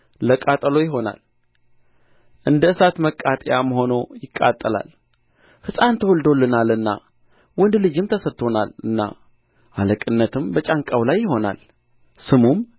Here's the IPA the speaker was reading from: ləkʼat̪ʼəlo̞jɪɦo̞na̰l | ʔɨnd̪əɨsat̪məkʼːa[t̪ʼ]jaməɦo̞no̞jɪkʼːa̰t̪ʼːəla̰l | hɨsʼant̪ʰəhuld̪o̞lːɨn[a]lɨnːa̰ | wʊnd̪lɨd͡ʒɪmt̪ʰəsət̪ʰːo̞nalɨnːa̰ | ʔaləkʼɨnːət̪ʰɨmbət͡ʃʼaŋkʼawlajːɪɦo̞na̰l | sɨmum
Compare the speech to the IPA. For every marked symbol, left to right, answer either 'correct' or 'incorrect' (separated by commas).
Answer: correct, correct